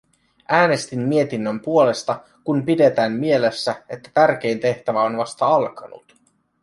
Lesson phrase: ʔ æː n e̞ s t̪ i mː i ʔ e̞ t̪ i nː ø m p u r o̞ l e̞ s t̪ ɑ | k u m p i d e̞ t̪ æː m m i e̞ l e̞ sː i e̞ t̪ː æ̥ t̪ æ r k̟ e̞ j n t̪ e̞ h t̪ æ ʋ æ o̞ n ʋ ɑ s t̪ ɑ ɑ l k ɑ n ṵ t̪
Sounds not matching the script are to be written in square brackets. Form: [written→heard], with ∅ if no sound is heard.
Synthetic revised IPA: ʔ æː n e̞ s t̪ i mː i [ʔ→∅] e̞ t̪ i nː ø m p u [r→∅] o̞ l e̞ s t̪ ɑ | k u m p i d e̞ t̪ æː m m i e̞ l e̞ sː [i→æ] e̞ t̪ː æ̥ t̪ æ r k̟ e̞ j n t̪ e̞ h t̪ æ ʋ æ o̞ n ʋ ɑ s t̪ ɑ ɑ l k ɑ n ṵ t̪